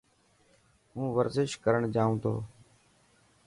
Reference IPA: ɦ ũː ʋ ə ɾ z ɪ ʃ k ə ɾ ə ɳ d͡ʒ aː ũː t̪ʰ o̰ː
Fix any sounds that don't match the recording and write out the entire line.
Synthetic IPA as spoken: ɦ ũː ʋ ə ɾ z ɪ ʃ k ə ɾ ə ɳ d͡ʒ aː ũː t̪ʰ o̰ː